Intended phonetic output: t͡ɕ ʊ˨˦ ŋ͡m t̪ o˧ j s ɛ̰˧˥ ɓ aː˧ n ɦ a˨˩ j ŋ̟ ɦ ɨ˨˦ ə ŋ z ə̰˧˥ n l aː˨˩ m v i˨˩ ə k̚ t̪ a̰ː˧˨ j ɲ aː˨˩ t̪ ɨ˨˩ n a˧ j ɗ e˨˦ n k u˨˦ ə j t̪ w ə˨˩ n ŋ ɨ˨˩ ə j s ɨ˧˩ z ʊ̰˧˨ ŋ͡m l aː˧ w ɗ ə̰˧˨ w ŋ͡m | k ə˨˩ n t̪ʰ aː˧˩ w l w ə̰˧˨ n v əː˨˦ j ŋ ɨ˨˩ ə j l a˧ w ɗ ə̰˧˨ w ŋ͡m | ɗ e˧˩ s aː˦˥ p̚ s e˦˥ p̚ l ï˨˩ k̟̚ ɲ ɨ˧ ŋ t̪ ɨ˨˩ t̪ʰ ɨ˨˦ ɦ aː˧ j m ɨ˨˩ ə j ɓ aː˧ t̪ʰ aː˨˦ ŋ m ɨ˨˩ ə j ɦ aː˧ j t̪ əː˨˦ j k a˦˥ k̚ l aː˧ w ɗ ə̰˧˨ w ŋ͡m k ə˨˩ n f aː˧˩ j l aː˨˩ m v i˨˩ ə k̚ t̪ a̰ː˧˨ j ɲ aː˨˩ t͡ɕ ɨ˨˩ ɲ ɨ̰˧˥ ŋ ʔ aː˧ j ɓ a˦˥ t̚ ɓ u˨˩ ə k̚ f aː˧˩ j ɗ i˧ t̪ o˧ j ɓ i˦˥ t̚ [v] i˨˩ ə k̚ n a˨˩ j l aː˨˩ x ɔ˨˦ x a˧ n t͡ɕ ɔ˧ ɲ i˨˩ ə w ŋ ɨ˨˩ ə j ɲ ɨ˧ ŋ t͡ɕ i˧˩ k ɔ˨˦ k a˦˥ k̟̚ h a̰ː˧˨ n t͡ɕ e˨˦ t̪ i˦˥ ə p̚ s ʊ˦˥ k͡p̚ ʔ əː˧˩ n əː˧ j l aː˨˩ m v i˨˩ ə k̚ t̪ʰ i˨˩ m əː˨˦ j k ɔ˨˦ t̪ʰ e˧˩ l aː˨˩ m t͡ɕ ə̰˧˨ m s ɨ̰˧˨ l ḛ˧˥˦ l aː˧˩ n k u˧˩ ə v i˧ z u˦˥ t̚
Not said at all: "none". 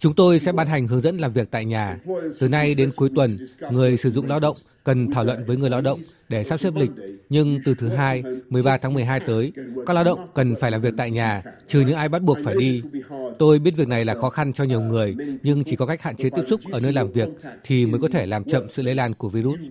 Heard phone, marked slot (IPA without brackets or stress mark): v